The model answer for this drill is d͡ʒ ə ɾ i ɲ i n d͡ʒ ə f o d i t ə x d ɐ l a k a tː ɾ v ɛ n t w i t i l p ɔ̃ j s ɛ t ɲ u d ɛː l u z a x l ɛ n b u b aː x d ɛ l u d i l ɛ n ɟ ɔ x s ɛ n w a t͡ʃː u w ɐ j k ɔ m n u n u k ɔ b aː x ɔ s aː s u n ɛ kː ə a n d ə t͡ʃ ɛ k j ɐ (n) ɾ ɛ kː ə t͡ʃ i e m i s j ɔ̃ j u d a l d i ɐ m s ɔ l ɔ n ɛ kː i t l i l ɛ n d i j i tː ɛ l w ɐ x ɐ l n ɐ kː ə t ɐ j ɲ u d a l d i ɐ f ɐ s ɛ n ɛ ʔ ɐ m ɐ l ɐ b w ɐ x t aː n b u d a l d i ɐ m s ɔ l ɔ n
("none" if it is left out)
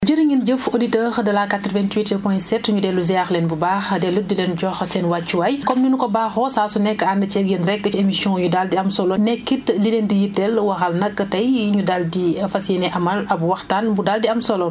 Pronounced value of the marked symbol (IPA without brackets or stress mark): n